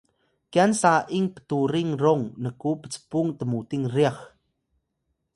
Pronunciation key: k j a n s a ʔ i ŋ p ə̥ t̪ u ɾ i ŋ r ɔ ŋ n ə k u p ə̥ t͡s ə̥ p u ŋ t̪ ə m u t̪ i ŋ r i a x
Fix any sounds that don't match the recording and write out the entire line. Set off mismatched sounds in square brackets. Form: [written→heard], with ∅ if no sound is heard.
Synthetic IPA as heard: k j a n s a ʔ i ŋ p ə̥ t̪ u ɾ i ŋ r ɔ ŋ n ə k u p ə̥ t͡s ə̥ p u ŋ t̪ ə m u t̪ i ŋ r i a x